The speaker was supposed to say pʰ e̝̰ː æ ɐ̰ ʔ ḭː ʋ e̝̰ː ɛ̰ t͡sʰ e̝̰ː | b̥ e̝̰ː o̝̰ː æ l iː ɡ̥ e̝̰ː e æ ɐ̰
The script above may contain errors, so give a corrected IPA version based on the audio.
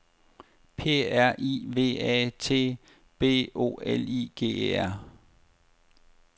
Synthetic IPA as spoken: pʰ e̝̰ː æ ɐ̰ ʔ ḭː ʋ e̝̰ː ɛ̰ t͡sʰ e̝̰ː | b̥ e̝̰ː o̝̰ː e l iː ɡ̥ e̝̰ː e æ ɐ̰